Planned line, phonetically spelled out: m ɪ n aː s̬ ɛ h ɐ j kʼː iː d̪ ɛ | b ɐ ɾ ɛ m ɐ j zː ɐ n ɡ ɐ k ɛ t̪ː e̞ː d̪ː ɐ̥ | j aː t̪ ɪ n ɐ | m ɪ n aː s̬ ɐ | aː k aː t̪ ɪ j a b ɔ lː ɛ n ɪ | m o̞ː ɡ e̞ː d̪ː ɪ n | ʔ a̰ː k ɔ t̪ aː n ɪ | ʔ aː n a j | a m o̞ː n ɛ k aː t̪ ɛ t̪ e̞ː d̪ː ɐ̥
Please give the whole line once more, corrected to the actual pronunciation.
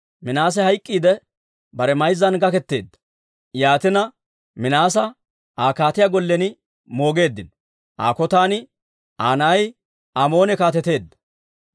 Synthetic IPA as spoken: m ɪ n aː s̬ ɛ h ɐ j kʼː iː d̪ ɛ | b ɐ ɾ ɛ m ɐ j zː ɐ n ɡ ɐ k ɛ t̪ː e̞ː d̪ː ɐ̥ | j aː t̪ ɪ n ɐ | m ɪ n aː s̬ ɐ | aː k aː t̪ ɪ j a ɡ ɔ lː ɛ n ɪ | m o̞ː ɡ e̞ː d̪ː ɪ n | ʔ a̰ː k ɔ t̪ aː n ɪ | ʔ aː n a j | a m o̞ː n ɛ k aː t̪ ɛ t̪ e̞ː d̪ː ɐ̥